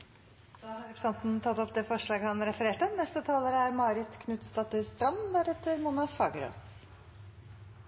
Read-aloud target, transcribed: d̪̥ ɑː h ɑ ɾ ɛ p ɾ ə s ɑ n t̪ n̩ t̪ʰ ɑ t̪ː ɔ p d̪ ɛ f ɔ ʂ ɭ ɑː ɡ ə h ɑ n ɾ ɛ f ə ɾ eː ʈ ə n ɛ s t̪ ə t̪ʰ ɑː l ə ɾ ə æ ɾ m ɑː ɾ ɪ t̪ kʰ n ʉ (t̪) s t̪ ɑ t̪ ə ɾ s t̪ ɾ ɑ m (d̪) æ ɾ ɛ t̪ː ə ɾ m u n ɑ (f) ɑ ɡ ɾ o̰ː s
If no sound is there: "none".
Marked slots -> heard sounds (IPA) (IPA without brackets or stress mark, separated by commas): t̪, d̪, f